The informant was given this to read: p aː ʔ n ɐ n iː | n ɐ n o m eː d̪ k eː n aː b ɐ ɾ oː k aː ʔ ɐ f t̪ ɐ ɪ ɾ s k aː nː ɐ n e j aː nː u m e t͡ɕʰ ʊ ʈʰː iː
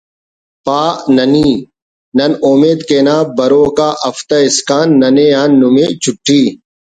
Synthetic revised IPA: p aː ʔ n ɐ n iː | n ɐ n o m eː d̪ k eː n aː b ɐ ɾ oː k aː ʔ ɐ f t̪ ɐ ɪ s k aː nː ɐ n e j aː nː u m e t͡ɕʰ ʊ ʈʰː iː